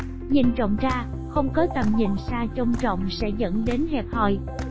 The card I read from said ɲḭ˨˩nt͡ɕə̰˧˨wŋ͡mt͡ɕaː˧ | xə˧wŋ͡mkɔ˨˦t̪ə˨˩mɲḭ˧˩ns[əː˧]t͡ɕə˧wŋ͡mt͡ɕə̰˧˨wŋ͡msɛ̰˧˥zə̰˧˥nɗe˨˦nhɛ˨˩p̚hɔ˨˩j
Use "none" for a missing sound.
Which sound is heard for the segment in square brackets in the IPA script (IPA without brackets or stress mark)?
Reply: aː˧